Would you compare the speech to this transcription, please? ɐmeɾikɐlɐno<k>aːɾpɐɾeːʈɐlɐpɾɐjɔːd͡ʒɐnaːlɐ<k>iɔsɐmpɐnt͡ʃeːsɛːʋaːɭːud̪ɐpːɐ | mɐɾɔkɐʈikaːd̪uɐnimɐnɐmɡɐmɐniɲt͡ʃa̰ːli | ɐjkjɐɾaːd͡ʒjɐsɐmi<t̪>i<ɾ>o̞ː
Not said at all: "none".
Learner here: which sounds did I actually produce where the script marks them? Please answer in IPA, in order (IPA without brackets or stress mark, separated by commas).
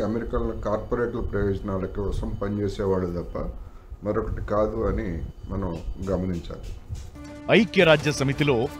k, k, t̪, l